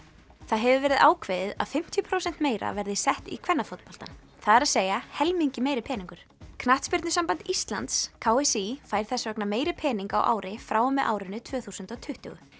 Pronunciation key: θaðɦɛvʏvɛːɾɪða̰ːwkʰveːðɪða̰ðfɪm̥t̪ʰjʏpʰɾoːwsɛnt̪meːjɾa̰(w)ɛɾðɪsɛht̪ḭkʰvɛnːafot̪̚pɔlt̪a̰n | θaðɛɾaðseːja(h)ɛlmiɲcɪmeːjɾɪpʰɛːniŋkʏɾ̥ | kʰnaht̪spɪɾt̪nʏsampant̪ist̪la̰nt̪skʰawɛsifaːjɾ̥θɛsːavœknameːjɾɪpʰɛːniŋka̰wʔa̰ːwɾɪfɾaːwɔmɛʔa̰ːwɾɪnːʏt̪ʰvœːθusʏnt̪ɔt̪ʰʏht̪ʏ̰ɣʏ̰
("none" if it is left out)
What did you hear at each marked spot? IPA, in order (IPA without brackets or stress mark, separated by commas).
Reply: v, h